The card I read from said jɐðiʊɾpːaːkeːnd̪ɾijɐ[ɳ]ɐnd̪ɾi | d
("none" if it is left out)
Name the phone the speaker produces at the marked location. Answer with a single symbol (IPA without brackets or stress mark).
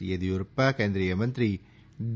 m